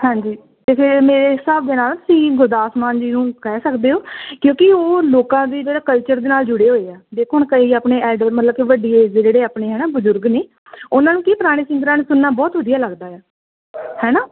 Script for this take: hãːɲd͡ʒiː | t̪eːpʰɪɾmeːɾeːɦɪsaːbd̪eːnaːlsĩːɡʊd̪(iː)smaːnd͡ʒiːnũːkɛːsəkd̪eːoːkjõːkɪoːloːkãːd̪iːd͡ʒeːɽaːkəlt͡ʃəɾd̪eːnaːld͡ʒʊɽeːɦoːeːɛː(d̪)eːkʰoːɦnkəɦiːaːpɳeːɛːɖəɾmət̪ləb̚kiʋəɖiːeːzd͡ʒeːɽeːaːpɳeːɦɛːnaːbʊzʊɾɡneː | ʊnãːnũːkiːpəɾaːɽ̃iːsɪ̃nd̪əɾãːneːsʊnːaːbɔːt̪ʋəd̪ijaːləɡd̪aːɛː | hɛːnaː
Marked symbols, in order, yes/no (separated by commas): no, yes